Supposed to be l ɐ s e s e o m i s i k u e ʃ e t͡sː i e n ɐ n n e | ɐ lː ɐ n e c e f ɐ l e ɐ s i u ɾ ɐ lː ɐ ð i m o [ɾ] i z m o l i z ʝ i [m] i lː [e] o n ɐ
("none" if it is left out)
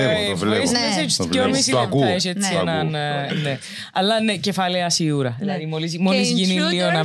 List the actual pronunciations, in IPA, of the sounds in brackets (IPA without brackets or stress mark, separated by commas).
l, n, i